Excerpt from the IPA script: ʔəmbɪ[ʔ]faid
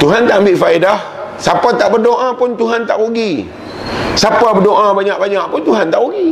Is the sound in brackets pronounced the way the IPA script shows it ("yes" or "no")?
yes